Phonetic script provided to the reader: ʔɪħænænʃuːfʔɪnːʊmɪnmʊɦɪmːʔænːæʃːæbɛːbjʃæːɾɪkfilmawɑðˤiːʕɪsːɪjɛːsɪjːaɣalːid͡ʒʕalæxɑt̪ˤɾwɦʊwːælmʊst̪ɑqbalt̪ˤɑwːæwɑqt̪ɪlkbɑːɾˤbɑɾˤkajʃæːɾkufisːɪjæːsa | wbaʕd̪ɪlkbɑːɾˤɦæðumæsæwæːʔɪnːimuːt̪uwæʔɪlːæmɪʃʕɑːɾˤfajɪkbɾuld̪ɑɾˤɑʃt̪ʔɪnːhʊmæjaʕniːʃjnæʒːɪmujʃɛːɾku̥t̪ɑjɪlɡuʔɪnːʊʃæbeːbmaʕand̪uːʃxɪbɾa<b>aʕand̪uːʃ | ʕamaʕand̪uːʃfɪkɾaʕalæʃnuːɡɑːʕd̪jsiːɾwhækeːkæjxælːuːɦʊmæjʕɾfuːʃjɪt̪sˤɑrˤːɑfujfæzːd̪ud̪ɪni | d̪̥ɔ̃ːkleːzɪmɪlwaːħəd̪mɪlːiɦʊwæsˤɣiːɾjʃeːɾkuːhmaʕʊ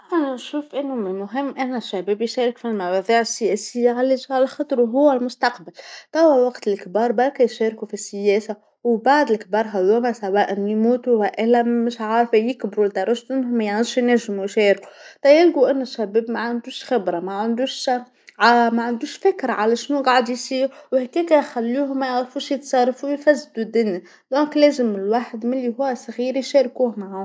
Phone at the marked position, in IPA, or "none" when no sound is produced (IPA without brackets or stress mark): m